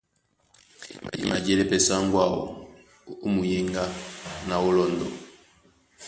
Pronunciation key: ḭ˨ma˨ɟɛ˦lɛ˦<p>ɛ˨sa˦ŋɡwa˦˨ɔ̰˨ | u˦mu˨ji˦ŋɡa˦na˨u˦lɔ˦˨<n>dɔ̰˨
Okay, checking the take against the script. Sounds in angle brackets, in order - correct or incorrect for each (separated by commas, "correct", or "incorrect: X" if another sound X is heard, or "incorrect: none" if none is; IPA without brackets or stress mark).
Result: correct, correct